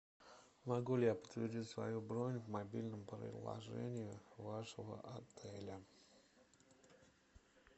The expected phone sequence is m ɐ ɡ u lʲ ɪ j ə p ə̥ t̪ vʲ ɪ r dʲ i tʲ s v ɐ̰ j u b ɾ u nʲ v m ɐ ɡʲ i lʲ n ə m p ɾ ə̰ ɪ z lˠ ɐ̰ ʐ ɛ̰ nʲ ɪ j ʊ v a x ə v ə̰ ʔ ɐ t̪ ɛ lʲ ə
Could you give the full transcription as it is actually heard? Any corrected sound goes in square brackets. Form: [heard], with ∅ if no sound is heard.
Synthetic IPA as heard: m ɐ ɡ u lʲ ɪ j [a] p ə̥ t̪ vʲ ɪ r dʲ i tʲ s v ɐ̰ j u b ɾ [o] nʲ v m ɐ [bʲ] i lʲ n ə m p ɾ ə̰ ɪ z lˠ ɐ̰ ʐ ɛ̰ nʲ ɪ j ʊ v a [ʂ] ə v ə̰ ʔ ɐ t̪ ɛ lʲ ə

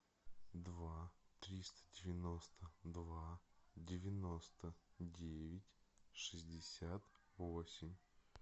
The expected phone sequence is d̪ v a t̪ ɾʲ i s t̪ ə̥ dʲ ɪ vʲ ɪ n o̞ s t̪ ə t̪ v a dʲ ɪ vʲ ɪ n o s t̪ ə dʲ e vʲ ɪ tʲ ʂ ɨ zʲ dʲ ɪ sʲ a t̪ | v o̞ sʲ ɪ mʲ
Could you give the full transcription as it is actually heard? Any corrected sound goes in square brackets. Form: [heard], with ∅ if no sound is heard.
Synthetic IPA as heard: d̪ v a t̪ ɾʲ i s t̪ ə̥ dʲ ɪ vʲ ɪ n o̞ s t̪ ə [d̪] v a dʲ ɪ vʲ ɪ n o s t̪ ə dʲ e vʲ ɪ tʲ ʂ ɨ zʲ dʲ ɪ sʲ a t̪ | v o̞ sʲ ɪ mʲ

